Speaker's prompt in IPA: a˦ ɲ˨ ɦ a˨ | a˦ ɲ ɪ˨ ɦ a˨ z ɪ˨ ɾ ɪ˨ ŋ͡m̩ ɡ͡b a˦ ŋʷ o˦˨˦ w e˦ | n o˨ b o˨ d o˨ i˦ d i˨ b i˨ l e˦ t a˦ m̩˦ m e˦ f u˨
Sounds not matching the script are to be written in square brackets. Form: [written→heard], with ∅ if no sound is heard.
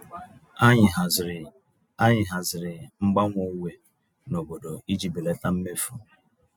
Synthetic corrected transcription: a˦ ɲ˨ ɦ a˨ | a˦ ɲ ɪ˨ ɦ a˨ z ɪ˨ ɾ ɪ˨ ŋ͡m̩ ɡ͡b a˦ ŋʷ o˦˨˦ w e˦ | n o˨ b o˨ d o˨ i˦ [d→d͡ʒ] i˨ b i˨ l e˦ t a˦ m̩˦ m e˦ f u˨